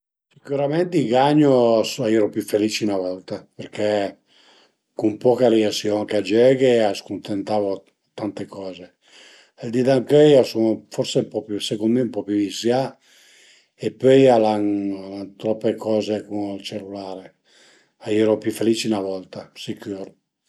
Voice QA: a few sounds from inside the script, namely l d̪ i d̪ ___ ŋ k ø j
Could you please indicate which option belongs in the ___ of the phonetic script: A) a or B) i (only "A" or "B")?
A